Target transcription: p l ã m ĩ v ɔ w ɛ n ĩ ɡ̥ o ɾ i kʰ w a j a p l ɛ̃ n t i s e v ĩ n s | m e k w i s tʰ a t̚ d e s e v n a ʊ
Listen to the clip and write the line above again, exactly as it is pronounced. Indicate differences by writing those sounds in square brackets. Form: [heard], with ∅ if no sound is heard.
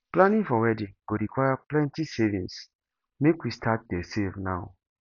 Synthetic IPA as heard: p l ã [n] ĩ [f] ɔ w ɛ [d] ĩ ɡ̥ o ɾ i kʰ w a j a p l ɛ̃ n t i s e v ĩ n s | m e k w i s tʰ a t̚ d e s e v n a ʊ